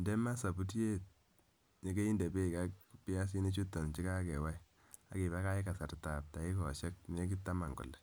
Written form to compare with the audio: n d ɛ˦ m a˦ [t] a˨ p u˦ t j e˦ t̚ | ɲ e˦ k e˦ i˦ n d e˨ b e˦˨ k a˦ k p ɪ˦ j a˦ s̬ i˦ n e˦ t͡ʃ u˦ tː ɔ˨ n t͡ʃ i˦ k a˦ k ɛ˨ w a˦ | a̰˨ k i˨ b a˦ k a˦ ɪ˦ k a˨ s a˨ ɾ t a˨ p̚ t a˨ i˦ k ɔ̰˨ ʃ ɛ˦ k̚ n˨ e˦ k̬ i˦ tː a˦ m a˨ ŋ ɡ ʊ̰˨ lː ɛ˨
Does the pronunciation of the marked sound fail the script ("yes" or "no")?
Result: yes